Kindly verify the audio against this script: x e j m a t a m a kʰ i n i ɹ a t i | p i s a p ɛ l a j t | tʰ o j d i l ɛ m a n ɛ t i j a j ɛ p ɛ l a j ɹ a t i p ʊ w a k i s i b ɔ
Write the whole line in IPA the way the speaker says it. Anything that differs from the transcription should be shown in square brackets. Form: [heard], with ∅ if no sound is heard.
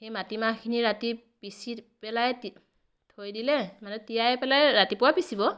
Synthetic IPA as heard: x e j m a t [i] m a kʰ i n i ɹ a t i | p i s [i] p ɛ l a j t | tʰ o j d i l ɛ m a n ɛ t i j a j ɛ p ɛ l a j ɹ a t i p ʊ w a [p] i s i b ɔ